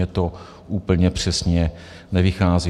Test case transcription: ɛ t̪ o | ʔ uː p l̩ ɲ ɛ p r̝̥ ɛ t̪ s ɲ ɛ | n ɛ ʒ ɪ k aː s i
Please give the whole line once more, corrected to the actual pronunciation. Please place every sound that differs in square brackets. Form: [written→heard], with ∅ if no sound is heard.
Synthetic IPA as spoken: ɛ t̪ o | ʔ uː p l̩ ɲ ɛ p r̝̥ ɛ [t̪→∅] s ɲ ɛ | n ɛ [ʒ→v] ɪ [k→x] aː [s→z] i